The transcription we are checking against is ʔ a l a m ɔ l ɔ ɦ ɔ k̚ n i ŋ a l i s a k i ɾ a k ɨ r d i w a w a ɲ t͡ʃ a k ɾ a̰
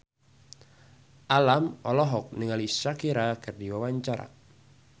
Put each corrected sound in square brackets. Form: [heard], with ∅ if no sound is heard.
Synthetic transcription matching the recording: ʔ a l a m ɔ l ɔ ɦ ɔ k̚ n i ŋ a l i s a k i ɾ a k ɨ r d i w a w a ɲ t͡ʃ a [∅] ɾ a̰